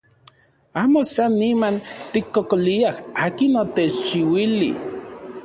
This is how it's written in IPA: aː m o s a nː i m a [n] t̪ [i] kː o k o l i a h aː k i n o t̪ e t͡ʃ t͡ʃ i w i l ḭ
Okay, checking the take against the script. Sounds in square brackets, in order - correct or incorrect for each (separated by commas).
correct, correct